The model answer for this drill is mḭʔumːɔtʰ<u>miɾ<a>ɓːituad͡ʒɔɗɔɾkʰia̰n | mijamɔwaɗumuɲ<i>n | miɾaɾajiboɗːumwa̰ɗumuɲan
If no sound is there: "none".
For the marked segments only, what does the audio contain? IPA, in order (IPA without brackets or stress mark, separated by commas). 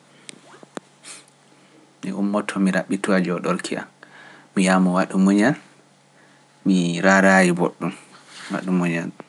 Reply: ɔ, a, a